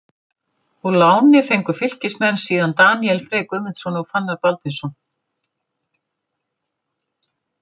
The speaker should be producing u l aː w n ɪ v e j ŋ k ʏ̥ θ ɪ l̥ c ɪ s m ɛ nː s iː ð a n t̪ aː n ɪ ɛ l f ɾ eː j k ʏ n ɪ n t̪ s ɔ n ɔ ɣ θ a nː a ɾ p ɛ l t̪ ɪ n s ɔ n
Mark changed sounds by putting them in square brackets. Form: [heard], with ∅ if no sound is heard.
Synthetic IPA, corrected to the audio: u l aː w n ɪ [f] e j ŋ k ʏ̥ [f] ɪ l̥ c ɪ s m ɛ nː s iː ð a n t̪ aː n [i] ɛ l f ɾ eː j k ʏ [m] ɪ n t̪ s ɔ n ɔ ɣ [f] a nː a ɾ p [a] l t̪ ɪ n s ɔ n